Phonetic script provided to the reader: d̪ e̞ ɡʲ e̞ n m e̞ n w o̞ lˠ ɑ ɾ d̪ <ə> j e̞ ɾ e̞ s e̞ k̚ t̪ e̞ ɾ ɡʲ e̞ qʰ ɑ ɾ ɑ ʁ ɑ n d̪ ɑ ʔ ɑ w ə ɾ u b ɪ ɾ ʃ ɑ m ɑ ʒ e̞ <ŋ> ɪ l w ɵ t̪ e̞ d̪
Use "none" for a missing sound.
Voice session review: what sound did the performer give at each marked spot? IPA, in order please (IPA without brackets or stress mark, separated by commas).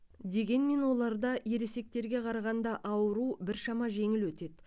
ɑ, ŋ